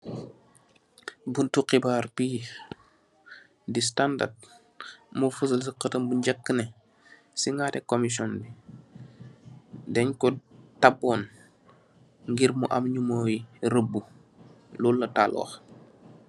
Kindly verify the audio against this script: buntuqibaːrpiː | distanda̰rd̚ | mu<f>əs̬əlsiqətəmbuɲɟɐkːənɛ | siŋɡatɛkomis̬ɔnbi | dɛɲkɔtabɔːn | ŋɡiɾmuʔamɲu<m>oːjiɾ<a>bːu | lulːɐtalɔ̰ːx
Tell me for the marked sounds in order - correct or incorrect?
correct, correct, incorrect: ə

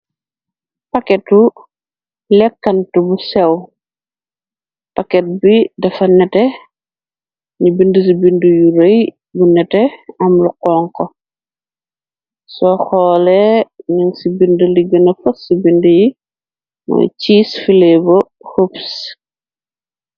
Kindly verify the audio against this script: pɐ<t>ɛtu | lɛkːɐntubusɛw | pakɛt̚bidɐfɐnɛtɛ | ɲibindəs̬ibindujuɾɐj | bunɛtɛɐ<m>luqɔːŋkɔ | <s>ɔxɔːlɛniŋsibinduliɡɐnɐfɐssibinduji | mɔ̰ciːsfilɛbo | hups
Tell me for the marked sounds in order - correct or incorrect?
incorrect: k, correct, correct

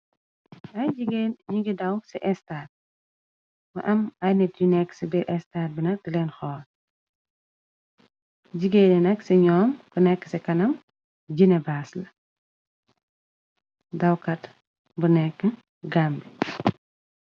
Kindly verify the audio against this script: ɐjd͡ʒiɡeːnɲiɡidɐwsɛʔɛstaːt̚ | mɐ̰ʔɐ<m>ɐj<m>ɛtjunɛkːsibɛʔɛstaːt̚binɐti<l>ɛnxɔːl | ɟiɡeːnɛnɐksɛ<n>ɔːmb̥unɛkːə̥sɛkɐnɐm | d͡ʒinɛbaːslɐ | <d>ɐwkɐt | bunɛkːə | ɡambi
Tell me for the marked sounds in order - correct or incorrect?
correct, incorrect: n, correct, incorrect: ɲ, correct

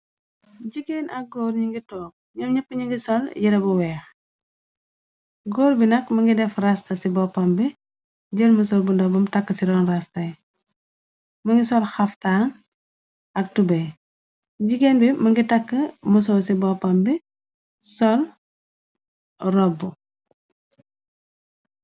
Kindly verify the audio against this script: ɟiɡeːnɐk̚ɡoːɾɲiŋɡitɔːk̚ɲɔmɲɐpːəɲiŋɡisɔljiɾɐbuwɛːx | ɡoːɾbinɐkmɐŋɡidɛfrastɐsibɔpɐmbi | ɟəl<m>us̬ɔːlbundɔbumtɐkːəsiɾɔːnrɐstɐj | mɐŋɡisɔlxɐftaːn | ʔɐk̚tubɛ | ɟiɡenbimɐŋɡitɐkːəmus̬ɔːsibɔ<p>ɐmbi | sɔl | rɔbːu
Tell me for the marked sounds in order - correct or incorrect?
correct, correct

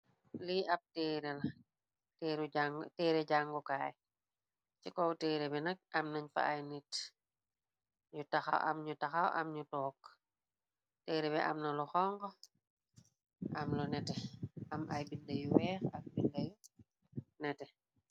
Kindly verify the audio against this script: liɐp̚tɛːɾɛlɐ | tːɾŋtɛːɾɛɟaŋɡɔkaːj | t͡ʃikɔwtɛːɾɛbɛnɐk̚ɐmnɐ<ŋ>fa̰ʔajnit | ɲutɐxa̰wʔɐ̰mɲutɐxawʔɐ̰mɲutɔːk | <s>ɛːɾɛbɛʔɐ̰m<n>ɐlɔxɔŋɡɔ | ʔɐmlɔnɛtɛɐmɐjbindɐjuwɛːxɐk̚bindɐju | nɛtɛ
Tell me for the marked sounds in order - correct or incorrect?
incorrect: ɲ, incorrect: t, correct

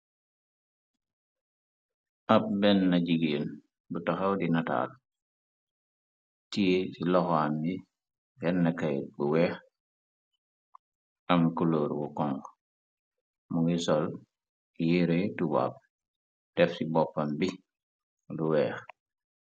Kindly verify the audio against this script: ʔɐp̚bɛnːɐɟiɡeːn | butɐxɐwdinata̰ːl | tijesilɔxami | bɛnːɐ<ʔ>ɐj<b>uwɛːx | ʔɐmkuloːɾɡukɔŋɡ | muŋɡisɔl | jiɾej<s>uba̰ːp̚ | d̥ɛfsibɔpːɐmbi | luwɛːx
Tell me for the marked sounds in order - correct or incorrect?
incorrect: k, correct, incorrect: t

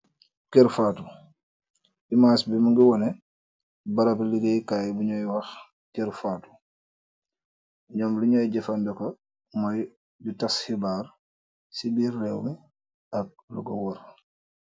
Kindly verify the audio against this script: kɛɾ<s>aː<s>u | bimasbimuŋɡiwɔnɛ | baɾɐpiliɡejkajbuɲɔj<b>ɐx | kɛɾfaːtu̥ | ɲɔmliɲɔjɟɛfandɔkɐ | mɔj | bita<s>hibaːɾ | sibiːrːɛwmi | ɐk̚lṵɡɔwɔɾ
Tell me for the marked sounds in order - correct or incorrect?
incorrect: f, incorrect: t, incorrect: w, correct

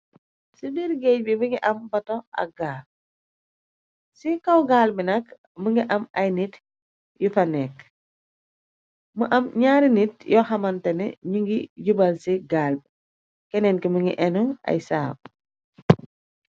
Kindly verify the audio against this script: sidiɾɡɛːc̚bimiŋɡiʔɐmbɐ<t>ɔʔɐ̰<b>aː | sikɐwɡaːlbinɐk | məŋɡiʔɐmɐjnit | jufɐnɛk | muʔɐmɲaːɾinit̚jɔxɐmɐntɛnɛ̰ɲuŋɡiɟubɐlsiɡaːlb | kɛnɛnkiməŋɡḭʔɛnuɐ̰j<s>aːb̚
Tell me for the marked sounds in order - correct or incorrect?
correct, incorrect: ɡ, correct

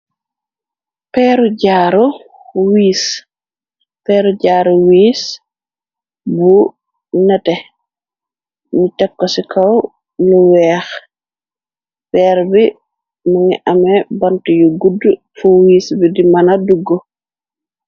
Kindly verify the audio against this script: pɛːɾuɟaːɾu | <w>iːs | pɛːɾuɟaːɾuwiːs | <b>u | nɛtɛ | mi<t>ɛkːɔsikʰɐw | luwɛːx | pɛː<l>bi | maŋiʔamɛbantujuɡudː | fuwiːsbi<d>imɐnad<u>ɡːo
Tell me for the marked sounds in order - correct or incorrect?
correct, correct, correct, incorrect: ɾ, correct, correct

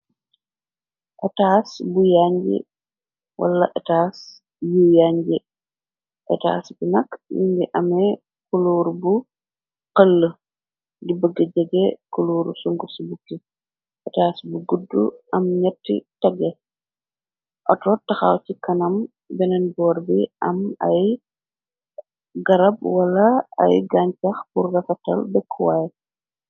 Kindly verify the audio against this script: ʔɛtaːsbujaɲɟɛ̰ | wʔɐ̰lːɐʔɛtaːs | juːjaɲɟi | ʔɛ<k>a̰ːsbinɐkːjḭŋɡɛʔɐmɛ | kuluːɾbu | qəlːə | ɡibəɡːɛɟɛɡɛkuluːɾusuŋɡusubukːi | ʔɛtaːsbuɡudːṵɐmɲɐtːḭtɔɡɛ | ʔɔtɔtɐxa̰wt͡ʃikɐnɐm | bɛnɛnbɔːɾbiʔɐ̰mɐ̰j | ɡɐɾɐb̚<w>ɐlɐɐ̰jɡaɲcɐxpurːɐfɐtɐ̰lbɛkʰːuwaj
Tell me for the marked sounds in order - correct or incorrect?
incorrect: t, correct

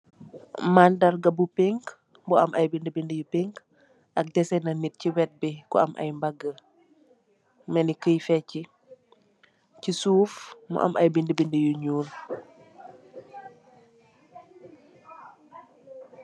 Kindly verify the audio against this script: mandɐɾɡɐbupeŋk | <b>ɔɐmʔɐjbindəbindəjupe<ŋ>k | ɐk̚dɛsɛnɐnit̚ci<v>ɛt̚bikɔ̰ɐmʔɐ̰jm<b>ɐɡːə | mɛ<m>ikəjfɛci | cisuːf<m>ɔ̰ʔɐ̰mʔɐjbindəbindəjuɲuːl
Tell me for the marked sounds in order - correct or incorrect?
correct, correct, incorrect: w, correct, incorrect: n, correct

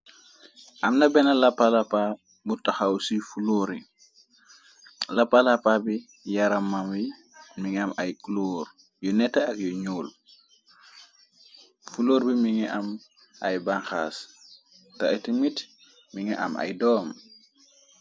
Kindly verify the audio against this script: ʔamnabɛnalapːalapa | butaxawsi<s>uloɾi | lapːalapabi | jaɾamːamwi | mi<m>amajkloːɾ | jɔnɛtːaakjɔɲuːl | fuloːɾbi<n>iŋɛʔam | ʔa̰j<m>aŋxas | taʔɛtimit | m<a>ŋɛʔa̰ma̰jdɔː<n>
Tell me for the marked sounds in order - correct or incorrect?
incorrect: f, incorrect: ŋ, incorrect: m, incorrect: b, incorrect: i, incorrect: m

